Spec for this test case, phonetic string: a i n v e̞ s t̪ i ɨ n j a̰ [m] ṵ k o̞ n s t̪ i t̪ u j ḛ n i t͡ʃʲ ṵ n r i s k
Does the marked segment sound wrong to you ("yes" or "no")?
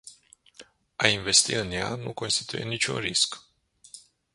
yes